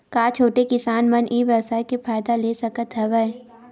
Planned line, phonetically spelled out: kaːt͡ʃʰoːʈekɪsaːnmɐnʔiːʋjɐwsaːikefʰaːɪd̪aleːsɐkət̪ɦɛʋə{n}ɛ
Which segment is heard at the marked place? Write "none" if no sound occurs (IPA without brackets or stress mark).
none